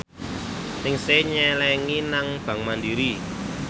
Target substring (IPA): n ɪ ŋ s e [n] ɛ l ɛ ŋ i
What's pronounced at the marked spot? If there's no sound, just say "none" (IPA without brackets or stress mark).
ɲ